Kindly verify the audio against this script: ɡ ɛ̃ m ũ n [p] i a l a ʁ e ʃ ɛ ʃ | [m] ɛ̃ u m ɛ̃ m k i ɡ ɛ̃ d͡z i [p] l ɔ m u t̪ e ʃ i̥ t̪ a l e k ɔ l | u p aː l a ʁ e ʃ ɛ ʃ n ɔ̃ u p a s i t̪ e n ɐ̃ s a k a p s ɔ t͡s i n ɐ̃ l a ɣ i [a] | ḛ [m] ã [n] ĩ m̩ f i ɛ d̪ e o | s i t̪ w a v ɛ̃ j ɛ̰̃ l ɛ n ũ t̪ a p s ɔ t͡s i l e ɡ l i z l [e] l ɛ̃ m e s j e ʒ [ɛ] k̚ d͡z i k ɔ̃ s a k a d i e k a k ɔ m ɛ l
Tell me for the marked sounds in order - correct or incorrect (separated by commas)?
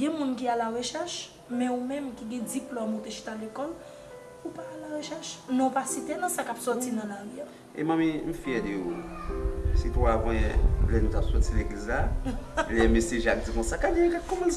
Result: incorrect, correct, correct, correct, correct, incorrect, incorrect, incorrect